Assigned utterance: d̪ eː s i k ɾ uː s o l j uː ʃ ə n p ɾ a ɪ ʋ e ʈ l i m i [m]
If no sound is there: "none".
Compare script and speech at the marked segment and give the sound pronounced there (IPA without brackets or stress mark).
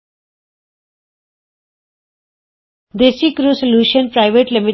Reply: none